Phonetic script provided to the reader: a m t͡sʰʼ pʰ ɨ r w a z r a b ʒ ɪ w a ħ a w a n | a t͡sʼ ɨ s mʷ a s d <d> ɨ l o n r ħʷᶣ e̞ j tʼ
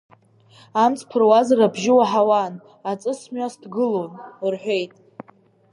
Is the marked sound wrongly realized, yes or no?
yes